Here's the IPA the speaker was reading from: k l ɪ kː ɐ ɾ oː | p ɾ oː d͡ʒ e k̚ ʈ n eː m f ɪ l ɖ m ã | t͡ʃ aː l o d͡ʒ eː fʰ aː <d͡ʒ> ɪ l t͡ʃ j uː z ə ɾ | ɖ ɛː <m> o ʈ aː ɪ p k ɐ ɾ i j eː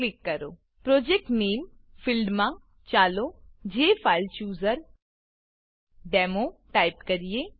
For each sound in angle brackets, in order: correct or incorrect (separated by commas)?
incorrect, correct